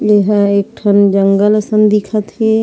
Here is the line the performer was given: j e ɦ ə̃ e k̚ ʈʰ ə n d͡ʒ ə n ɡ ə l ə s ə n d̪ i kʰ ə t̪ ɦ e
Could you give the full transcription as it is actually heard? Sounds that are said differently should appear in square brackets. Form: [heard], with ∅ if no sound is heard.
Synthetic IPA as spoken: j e ɦ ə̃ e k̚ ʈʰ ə n d͡ʒ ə [ŋ] ɡ ə l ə s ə n d̪ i kʰ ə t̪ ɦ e